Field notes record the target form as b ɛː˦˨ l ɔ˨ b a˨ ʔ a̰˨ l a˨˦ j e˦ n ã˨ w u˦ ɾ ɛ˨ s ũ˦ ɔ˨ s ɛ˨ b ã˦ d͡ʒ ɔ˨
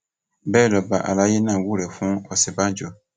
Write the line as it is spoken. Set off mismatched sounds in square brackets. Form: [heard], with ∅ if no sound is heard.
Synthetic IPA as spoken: b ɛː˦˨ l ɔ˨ b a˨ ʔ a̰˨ l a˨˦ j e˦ n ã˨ w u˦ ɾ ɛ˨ [f] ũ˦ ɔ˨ s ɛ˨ b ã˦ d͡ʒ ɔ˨

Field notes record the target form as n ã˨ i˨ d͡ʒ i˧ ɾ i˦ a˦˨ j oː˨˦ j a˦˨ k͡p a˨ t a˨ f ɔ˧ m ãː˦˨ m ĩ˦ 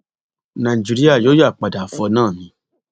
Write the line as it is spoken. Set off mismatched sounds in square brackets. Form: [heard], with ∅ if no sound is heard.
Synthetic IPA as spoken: n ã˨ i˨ d͡ʒ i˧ ɾ i˦ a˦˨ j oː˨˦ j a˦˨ k͡p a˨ [d] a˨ f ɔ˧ [n] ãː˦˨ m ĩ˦

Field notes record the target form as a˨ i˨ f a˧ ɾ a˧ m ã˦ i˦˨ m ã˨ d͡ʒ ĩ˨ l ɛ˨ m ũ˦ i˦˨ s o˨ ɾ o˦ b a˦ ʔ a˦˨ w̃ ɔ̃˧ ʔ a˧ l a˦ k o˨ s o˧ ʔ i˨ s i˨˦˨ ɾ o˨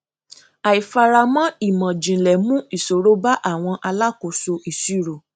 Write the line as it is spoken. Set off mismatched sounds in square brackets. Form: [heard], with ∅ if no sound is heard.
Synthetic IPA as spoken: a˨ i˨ f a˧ ɾ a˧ m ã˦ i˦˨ m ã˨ d͡ʒ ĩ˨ l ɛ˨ m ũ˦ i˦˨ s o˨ ɾ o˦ b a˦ ʔ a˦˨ w̃ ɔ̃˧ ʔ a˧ l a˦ k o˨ s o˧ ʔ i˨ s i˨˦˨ ɾ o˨

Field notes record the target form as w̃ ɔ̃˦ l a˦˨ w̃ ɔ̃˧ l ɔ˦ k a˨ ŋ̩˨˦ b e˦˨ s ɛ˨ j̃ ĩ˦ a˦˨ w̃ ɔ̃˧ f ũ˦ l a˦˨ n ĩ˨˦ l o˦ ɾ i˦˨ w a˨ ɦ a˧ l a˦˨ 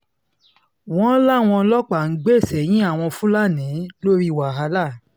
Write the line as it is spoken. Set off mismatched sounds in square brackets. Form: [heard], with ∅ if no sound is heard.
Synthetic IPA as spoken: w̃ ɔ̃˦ l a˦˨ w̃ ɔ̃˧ l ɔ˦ [k͡p] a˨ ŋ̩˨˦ [ɡ͡b] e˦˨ s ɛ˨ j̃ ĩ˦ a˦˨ w̃ ɔ̃˧ f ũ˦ l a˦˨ n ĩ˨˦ l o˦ ɾ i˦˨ w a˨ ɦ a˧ l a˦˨

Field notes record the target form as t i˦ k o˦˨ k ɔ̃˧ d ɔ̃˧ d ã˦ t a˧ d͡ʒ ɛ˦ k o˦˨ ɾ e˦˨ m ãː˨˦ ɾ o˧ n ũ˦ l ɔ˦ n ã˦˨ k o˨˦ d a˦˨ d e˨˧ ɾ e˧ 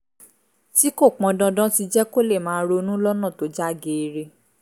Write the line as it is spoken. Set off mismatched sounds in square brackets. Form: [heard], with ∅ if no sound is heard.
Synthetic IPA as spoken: t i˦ k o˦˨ [k͡p] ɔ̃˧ d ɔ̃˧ d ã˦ t [i˧] d͡ʒ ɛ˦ k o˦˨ [l] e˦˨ m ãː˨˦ ɾ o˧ n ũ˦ l ɔ˦ n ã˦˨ [t] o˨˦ [d͡ʒ] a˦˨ [ɡ] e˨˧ ɾ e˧

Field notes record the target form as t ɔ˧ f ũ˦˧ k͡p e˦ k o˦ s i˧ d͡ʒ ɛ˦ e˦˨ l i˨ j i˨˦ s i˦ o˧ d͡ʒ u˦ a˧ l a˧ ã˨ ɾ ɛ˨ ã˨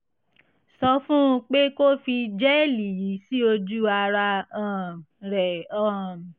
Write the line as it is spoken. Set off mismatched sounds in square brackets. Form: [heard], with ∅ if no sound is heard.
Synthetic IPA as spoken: [s] ɔ˧ f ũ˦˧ k͡p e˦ k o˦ [f] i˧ d͡ʒ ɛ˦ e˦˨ l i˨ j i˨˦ s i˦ o˧ d͡ʒ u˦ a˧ [ɾ] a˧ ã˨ ɾ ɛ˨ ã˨

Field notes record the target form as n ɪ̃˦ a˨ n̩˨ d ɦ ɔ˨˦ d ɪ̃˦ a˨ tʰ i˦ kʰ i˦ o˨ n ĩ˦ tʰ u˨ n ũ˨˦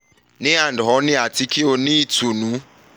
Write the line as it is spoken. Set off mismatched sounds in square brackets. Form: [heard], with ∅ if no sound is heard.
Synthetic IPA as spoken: n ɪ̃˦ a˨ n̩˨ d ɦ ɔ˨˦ [n] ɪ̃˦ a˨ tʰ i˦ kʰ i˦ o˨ n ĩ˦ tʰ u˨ n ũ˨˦

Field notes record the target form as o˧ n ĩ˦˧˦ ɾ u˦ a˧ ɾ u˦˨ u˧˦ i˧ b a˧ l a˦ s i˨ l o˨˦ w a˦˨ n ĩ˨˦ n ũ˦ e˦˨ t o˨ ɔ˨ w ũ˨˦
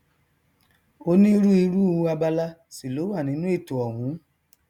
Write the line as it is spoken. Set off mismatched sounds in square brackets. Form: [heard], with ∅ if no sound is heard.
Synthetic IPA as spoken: o˧ n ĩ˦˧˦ ɾ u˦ [i˧] ɾ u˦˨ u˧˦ [a˧] b a˧ l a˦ s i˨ l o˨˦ w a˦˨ n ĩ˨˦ n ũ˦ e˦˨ t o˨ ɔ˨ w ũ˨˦

